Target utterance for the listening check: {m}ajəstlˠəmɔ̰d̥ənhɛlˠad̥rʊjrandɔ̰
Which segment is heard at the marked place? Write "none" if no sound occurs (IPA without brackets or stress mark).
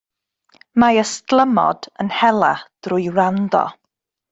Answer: m